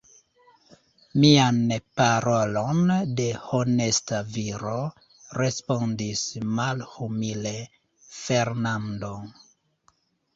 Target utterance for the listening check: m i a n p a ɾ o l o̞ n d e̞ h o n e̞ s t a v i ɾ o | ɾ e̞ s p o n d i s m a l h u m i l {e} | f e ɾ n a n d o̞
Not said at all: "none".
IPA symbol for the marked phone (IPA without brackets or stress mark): e